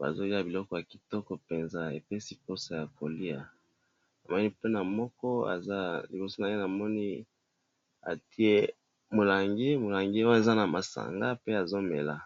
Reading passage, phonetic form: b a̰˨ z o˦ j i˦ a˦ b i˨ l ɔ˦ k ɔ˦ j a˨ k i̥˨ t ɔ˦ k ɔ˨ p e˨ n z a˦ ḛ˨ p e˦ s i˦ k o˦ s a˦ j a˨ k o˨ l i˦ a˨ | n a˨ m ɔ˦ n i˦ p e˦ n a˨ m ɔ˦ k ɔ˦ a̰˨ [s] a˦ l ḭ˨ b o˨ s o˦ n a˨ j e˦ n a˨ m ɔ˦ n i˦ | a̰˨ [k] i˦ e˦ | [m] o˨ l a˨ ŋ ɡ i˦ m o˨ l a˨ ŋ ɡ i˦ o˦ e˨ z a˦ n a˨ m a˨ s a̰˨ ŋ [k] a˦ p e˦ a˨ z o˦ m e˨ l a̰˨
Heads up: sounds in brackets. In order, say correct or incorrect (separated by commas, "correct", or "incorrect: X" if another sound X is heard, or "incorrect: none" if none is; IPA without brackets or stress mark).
incorrect: z, incorrect: t, correct, incorrect: ɡ